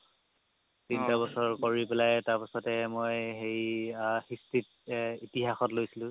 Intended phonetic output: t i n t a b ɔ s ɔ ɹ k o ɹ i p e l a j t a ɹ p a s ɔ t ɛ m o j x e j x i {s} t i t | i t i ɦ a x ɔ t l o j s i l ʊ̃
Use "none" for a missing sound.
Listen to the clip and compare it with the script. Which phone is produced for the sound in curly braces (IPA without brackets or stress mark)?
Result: s